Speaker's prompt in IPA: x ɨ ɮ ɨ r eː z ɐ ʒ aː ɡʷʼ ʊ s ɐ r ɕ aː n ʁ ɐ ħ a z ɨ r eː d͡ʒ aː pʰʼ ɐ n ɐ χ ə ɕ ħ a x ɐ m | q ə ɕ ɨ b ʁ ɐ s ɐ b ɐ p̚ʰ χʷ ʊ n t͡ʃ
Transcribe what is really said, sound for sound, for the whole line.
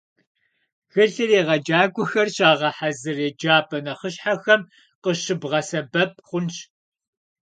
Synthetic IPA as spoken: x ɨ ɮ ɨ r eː ʁ ɐ d͡ʒ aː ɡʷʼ ʊ x ɐ r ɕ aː ʁ ɐ ħ a z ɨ r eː d͡ʒ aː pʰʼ ɐ n ɐ χ ə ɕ ħ a x ɐ m | q ə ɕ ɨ b ʁ ɐ s ɐ b ɐ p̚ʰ χʷ ʊ n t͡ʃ